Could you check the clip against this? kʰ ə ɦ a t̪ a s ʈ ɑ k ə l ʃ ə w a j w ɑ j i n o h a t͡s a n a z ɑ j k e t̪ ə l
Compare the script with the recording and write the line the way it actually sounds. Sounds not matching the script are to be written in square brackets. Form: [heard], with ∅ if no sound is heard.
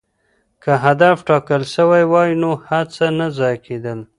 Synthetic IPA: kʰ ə ɦ a [d̪] a [f] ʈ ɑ k ə l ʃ ə w a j w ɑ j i n o h a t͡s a n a z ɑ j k e [d̪] ə l